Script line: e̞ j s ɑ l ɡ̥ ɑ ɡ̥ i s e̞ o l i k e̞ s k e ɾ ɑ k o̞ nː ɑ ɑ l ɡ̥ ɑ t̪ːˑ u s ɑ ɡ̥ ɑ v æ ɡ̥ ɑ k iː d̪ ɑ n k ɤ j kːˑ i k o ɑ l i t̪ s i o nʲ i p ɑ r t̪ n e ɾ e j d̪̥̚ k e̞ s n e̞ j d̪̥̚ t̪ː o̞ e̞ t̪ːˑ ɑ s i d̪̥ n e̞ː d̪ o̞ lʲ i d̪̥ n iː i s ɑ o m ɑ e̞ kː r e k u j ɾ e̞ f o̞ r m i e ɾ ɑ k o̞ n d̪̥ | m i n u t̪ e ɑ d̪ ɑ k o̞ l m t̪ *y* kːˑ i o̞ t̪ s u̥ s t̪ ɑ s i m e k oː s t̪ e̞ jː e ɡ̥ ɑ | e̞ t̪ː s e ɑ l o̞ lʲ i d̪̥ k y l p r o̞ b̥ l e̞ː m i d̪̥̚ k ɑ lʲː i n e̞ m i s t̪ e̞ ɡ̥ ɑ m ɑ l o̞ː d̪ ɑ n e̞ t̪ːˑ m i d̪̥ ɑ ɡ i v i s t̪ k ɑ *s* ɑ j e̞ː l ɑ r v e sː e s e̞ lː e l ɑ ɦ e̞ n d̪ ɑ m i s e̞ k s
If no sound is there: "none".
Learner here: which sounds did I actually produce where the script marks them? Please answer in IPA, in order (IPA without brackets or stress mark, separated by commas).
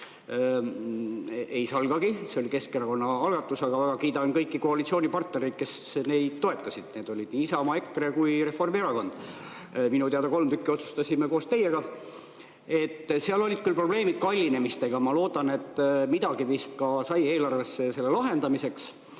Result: y, s